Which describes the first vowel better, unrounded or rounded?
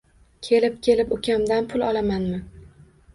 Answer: unrounded